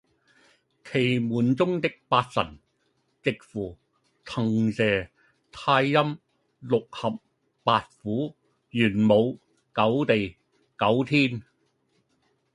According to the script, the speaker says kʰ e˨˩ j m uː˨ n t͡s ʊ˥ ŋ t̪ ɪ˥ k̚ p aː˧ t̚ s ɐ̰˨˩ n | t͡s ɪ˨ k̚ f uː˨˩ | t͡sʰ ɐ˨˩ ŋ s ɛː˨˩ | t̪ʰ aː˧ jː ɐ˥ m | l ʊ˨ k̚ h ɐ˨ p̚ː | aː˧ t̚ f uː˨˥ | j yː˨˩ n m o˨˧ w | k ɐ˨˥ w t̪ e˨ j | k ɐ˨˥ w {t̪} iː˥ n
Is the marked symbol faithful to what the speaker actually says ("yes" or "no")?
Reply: no